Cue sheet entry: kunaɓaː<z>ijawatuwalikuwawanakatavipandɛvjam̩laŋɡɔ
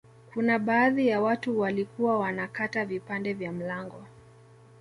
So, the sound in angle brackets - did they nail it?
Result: no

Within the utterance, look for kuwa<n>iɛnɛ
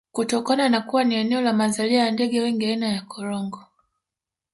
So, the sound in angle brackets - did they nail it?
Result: yes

